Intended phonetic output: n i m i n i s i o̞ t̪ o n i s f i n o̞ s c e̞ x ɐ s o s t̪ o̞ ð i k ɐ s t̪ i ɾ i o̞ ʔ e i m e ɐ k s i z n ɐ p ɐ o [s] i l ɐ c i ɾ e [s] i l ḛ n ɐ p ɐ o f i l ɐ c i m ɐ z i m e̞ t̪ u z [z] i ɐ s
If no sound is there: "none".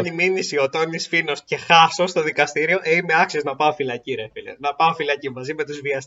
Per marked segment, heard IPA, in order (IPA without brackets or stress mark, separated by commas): f, f, v